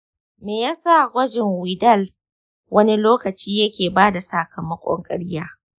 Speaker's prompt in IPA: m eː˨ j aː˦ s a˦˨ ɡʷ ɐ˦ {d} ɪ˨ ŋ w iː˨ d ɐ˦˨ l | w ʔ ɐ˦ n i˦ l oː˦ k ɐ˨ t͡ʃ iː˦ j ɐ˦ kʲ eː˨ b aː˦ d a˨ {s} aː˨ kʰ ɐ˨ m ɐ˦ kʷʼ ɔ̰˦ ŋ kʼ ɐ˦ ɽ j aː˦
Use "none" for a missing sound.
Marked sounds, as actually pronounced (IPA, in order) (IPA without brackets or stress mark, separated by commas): d͡ʒ, s